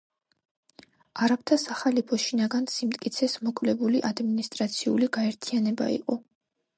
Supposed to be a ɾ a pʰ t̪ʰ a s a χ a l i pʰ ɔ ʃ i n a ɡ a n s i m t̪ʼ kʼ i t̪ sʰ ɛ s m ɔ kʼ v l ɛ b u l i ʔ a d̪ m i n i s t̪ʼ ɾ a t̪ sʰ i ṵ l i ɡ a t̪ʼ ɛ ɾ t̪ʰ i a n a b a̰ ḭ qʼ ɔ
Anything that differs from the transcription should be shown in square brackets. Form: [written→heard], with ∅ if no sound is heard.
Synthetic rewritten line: a ɾ a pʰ t̪ʰ a s a χ a l i pʰ ɔ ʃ i n a ɡ a n s i m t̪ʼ kʼ i t̪ sʰ ɛ s m ɔ kʼ v l ɛ b u l i ʔ a d̪ m i n i s t̪ʼ ɾ a t̪ sʰ i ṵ l i ɡ a [t̪ʼ→∅] ɛ ɾ t̪ʰ i a n [a→ɛ] b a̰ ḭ qʼ ɔ